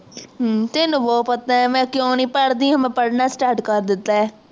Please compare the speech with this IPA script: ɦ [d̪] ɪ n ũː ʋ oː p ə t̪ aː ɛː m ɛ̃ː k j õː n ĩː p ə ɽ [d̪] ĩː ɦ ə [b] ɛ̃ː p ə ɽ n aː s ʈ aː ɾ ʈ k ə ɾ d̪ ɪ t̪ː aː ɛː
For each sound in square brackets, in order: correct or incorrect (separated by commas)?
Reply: incorrect, correct, incorrect